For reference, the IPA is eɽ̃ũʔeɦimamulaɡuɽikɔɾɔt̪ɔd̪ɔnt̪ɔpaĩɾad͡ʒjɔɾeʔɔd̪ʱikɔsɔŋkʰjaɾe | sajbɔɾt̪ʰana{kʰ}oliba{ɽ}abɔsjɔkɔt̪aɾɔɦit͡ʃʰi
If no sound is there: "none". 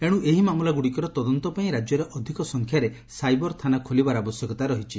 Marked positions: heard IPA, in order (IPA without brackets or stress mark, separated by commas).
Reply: kʰ, ɾ